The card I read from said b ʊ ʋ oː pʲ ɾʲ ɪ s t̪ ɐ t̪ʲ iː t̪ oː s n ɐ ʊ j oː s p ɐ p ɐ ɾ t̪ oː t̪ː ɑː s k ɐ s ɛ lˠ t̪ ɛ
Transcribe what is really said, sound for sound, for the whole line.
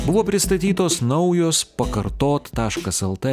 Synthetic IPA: b ʊ ʋ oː pʲ ɾʲ ɪ s t̪ ɐ t̪ʲ iː t̪ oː s n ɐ ʊ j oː s p ɐ k ɐ ɾ t̪ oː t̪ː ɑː ʃ k ɐ s ɛ lˠ t̪ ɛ